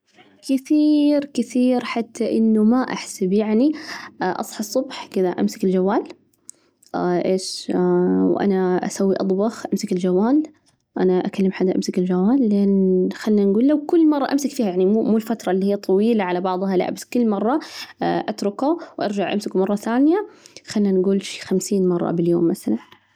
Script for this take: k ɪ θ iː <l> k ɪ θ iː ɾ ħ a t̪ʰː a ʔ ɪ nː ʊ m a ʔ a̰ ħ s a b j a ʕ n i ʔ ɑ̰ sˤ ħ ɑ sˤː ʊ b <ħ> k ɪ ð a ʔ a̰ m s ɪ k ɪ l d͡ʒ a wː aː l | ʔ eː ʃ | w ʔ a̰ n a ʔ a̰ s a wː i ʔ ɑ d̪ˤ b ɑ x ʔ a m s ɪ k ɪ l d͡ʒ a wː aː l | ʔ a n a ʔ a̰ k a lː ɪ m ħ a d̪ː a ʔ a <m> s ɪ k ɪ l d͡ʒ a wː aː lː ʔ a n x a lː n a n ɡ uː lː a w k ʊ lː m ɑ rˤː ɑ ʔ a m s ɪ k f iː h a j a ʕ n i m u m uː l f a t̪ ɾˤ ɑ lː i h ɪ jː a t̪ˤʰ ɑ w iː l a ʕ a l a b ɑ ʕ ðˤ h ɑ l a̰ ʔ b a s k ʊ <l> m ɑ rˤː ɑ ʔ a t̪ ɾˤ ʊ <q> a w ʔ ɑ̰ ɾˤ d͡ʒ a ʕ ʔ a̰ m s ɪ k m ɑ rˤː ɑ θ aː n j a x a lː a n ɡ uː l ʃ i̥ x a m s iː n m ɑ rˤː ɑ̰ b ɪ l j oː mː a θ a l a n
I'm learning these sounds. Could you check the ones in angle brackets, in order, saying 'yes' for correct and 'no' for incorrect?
no, yes, yes, no, no

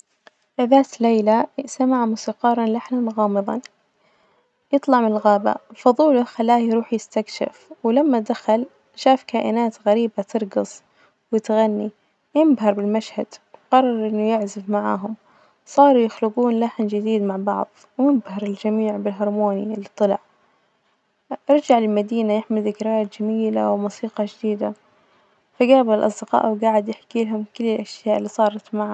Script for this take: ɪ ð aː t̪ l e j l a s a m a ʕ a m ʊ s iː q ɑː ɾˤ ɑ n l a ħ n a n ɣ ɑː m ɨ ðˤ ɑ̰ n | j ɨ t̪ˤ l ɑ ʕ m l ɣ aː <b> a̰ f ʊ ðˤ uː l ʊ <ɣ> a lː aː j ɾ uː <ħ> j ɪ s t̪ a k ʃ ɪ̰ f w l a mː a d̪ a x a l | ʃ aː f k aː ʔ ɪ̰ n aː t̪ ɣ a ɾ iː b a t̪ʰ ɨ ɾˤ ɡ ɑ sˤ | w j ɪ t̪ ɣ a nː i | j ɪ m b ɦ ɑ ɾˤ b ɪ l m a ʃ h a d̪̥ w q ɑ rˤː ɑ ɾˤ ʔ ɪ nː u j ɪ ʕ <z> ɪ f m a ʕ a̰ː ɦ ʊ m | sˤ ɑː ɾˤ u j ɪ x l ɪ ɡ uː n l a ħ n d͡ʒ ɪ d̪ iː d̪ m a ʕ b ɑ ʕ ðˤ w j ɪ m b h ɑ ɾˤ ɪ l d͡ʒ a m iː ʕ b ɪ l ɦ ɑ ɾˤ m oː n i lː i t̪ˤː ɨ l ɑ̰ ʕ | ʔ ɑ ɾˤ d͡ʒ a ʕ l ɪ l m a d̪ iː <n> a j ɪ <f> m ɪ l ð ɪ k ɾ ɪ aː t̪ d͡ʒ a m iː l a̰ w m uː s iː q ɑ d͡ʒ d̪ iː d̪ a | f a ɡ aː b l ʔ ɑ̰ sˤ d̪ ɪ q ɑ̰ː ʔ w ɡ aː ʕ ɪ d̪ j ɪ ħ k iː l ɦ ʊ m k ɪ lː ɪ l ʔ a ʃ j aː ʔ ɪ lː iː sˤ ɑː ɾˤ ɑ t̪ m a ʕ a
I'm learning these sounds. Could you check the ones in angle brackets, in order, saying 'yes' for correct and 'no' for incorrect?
yes, no, yes, yes, yes, no

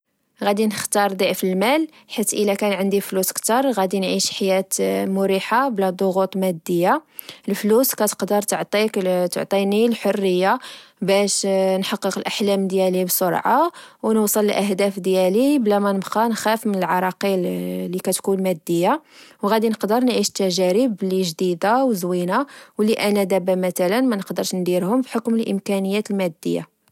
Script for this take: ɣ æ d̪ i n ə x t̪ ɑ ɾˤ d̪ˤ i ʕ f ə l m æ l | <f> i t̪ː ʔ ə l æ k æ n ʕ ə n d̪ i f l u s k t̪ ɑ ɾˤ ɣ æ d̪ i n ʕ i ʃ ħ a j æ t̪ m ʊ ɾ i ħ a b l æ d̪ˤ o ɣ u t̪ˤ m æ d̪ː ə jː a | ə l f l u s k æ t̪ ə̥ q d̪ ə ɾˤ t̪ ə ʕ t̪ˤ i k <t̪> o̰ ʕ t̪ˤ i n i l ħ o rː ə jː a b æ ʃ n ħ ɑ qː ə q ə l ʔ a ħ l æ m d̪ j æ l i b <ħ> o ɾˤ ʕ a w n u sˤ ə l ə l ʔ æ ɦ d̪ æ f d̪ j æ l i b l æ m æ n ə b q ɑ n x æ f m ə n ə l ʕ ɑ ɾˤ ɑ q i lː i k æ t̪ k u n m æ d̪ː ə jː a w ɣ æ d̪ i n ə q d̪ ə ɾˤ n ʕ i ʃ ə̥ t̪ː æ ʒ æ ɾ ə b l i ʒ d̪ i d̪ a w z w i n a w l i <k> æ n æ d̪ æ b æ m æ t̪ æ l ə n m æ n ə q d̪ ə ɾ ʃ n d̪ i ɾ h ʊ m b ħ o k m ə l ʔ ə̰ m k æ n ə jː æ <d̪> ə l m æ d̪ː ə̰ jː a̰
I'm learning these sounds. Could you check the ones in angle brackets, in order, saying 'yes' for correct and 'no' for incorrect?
no, yes, no, no, no

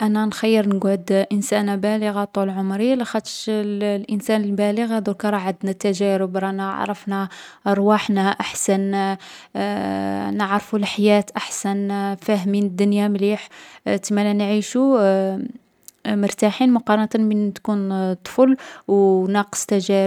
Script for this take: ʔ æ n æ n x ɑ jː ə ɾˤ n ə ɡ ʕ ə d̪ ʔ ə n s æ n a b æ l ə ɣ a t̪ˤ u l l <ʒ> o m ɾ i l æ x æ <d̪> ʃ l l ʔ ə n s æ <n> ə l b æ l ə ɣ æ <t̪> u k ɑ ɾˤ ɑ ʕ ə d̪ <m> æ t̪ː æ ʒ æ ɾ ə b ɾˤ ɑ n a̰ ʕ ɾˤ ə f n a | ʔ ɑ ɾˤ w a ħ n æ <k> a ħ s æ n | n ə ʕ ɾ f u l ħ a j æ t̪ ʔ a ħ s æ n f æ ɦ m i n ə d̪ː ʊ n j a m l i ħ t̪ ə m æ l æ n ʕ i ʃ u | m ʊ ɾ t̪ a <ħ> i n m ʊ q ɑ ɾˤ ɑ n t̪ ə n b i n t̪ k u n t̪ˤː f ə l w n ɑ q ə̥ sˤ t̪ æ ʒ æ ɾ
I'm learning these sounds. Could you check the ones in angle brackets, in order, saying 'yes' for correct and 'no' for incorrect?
no, no, yes, no, no, no, yes

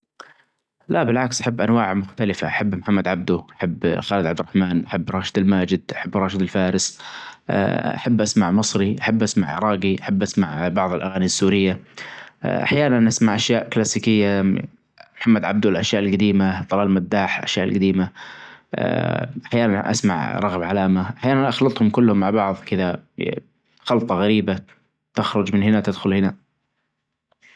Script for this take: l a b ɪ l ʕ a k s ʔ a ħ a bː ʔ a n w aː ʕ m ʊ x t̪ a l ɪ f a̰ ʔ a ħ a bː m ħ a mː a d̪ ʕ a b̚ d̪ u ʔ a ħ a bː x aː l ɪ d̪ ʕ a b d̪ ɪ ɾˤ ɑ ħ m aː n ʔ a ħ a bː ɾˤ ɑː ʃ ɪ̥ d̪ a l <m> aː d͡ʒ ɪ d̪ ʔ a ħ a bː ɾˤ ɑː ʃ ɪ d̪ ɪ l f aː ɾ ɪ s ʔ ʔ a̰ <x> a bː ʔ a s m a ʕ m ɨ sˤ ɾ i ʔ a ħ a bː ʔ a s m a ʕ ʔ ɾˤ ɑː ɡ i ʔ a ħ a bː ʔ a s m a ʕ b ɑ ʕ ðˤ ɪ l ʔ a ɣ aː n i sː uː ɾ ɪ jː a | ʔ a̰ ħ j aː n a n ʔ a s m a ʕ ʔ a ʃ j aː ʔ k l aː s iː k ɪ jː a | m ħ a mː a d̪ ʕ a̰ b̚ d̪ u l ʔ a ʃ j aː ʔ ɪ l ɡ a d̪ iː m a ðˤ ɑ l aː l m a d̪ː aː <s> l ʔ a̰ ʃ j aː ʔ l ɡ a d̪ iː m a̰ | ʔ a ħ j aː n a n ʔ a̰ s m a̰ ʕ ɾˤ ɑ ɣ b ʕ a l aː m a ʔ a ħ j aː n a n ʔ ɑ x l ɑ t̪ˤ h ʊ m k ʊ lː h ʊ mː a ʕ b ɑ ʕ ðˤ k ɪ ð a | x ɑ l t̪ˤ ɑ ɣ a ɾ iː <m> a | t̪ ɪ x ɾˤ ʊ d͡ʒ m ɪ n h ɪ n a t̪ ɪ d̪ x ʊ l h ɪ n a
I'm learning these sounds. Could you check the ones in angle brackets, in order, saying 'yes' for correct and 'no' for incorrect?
yes, no, no, no

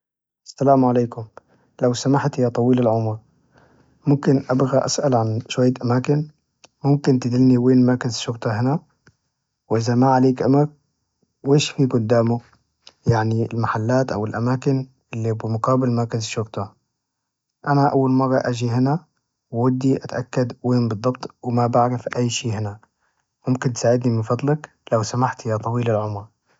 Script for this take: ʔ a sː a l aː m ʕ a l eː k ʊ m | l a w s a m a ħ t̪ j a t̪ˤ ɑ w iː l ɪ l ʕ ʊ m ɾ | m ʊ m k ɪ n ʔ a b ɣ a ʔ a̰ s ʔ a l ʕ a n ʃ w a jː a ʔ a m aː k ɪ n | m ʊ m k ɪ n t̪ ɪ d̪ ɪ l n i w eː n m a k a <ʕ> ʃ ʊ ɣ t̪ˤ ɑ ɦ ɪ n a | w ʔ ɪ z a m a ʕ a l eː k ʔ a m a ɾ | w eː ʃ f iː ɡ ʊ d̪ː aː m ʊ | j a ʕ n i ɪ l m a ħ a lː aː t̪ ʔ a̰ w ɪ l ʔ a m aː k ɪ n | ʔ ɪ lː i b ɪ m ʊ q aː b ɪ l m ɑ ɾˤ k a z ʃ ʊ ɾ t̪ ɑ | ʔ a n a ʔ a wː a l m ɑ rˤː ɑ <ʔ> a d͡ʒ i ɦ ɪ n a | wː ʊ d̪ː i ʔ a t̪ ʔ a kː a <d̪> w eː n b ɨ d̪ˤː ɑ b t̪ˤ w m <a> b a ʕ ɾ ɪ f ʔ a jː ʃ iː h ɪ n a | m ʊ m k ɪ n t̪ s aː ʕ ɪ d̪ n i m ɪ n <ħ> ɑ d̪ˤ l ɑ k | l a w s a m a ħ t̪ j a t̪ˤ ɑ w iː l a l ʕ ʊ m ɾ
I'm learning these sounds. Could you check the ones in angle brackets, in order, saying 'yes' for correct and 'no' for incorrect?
no, yes, yes, yes, no

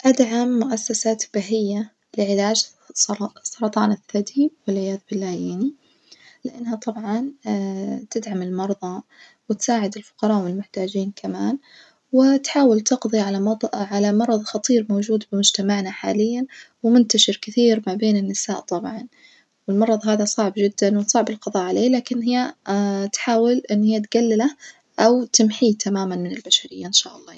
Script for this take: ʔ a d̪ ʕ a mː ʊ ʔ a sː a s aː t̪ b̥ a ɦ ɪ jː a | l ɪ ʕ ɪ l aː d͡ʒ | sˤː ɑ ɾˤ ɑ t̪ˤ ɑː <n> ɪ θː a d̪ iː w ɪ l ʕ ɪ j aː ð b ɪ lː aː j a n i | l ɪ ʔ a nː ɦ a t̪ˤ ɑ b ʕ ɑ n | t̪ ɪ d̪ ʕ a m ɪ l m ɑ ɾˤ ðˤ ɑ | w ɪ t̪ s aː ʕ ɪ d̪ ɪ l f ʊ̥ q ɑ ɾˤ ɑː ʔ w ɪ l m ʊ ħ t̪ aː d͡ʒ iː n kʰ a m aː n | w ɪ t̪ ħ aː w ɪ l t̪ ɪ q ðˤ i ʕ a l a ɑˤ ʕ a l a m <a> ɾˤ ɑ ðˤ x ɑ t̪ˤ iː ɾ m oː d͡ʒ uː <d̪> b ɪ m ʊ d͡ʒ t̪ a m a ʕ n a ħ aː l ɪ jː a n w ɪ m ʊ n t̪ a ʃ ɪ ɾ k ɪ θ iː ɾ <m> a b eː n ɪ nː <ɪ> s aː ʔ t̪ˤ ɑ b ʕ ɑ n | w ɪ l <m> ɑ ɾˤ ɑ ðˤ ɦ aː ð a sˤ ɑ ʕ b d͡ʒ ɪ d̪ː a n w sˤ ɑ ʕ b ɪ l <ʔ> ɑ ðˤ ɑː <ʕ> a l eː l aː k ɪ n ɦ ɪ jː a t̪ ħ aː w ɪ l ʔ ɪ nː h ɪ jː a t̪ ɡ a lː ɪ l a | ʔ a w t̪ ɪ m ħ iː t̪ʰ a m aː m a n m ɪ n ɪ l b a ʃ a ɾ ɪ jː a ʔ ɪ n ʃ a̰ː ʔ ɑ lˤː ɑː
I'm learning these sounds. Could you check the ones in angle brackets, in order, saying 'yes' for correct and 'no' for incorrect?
yes, no, yes, yes, yes, yes, no, yes

